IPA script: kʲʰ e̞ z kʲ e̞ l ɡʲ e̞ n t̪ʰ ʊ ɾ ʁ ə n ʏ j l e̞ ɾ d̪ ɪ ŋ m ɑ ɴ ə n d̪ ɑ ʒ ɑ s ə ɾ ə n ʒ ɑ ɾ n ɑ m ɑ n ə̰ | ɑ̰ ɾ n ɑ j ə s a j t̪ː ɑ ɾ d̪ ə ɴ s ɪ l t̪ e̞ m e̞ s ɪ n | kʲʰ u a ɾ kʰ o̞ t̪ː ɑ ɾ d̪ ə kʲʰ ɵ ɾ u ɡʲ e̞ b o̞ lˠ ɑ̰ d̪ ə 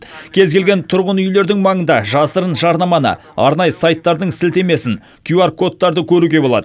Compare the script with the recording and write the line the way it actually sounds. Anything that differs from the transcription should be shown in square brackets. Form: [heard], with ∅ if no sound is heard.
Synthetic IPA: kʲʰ e̞ z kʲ e̞ l ɡʲ e̞ n t̪ʰ ʊ ɾ ʁ ə n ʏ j l e̞ ɾ d̪ ɪ ŋ m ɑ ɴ ə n d̪ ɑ ʒ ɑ s ə ɾ ə n ʒ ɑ ɾ n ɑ m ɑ n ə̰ | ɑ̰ ɾ n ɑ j ə s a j t̪ː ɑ ɾ d̪ ə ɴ s ɪ l t̪ e̞ m e̞ s ɪ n | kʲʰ u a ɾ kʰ o̞ t̪ː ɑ ɾ d̪ ə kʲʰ ɵ ɾ u ɡʲ e̞ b o̞ lˠ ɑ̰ d̪ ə